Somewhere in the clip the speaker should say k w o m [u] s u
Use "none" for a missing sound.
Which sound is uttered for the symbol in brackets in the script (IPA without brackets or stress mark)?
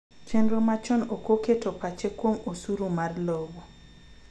o